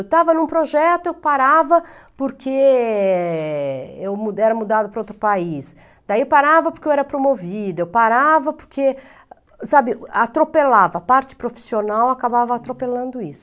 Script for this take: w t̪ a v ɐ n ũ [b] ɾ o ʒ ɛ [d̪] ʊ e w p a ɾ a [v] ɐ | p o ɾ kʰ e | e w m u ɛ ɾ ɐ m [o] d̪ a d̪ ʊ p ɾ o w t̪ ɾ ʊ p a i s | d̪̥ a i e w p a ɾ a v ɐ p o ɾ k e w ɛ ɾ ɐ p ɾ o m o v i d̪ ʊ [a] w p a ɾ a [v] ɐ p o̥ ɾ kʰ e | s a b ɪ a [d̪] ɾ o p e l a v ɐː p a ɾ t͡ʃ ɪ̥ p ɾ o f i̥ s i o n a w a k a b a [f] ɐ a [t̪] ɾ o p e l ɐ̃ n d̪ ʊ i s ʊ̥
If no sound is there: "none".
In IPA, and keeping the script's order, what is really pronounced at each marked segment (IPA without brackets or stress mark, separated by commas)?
p, t̪, v, u, e, v, t̪, v, t̪